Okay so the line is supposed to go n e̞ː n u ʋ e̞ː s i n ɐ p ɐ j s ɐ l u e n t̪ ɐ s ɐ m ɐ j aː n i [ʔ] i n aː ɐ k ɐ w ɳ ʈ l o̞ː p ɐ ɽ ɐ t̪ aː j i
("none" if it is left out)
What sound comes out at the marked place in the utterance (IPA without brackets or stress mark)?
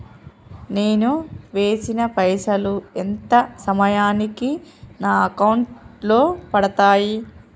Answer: k